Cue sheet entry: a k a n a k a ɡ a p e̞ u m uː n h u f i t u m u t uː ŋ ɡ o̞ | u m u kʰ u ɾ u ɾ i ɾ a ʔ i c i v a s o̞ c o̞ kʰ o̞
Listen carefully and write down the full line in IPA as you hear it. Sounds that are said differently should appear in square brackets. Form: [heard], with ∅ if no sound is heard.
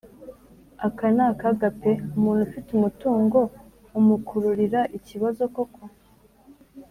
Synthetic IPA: a k a n a k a ɡ a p e̞ u m uː n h u f i t u m u t uː ŋ ɡ o̞ | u m u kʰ u ɾ u ɾ i ɾ a ʔ i c i [β] a [z] o̞ [k] o̞ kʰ o̞